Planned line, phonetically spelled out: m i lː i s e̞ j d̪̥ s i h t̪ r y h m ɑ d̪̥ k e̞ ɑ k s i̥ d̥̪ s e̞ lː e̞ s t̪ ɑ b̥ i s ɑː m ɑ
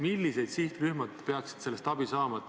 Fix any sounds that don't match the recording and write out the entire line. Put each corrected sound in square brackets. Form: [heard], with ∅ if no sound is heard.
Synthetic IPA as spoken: m i lː i s e̞ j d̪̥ s i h t̪ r y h m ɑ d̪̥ [p] e̞ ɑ k s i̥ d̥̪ s e̞ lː e̞ s t̪ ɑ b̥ i s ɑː m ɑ